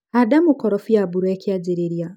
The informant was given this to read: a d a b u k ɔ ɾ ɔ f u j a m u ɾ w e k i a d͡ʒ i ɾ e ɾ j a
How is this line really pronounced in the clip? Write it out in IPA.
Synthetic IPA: a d a m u k ɔ ɾ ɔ f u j a b u ɾ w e k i a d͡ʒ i ɾ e ɾ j a